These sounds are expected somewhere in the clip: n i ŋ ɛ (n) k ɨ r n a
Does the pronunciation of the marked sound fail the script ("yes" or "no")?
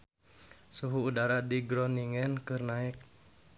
no